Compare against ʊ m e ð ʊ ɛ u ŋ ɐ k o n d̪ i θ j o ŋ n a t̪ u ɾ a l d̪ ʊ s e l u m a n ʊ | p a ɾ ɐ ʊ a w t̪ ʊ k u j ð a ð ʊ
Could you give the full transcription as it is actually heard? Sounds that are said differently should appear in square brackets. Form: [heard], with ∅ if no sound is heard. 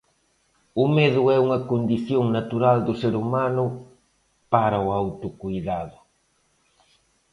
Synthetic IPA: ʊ m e ð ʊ ɛ u ŋ ɐ k o n d̪ i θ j o ŋ n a t̪ u ɾ a l d̪ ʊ s e [ɾ] u m a n ʊ | p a ɾ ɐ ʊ a w t̪ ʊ k u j ð a ð ʊ